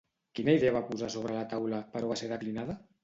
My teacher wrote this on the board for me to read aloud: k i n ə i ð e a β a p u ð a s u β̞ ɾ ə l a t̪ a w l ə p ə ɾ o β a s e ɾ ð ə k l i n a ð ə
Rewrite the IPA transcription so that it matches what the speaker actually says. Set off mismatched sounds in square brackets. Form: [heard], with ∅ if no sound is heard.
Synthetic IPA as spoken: k i n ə i ð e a β a p u [z] a s [o] β̞ ɾ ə l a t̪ a w l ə p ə ɾ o β a s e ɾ ð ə k l i n a ð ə